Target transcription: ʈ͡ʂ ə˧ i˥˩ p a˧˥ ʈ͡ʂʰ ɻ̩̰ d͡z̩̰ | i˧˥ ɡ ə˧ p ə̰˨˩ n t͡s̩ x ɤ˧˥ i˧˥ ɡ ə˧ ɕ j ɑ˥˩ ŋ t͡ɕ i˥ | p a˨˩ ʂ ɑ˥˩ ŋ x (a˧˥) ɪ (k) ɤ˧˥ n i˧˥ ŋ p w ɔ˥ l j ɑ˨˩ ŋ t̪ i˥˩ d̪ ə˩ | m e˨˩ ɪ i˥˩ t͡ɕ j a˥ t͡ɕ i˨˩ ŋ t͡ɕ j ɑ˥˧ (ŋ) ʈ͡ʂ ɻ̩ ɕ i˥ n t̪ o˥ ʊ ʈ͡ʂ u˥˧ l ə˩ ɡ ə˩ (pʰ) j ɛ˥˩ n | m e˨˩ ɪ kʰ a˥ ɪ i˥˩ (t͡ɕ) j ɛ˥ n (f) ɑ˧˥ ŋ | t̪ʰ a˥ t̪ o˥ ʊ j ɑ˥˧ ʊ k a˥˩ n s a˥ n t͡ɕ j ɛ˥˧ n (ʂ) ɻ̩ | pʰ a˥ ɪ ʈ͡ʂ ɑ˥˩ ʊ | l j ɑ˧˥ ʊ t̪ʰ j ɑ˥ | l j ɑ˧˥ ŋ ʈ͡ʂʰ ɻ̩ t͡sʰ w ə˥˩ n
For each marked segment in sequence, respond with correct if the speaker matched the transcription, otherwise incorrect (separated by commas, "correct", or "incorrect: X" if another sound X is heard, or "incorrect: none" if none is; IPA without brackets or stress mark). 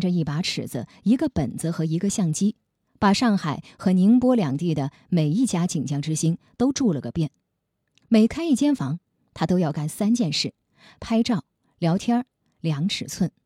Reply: incorrect: a˨˩, incorrect: x, correct, incorrect: p, correct, correct, correct